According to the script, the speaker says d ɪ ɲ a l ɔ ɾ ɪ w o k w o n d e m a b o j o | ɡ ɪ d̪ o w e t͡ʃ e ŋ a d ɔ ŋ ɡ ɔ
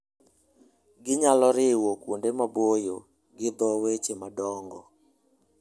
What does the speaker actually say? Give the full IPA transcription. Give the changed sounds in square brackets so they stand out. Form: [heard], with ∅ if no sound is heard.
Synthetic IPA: [ɡ] ɪ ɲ a l ɔ ɾ ɪ w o k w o n d e m a b o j o | ɡ ɪ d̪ [ɔ] w e t͡ʃ e [m] a d ɔ ŋ ɡ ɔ